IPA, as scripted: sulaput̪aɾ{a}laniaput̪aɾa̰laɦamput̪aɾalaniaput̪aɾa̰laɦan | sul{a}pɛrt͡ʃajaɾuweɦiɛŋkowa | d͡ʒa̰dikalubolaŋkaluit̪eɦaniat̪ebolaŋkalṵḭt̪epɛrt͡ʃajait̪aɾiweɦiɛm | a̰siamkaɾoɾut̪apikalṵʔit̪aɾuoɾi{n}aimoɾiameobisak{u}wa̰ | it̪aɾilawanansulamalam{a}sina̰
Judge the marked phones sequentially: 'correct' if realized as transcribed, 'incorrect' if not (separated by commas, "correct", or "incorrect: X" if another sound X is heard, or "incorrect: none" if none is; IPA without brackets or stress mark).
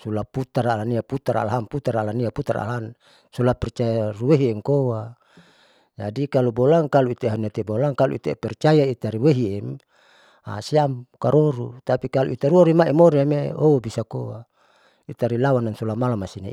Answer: correct, correct, incorrect: m, incorrect: o, correct